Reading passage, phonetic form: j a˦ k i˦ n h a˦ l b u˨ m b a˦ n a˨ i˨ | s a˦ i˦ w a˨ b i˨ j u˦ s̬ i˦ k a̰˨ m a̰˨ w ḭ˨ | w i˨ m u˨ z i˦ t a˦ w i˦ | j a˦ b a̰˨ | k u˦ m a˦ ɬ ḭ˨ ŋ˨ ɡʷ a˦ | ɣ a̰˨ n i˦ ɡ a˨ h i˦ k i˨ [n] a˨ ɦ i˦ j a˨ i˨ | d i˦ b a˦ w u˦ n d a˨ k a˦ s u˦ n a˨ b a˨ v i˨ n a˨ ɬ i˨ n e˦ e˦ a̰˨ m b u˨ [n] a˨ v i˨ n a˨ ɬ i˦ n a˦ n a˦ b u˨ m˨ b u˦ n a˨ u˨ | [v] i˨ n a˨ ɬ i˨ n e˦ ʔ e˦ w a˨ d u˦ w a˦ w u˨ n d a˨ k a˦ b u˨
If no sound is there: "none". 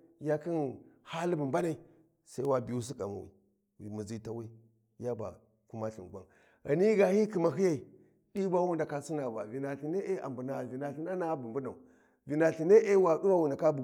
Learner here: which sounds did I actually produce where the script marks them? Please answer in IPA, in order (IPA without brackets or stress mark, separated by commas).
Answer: m, n, v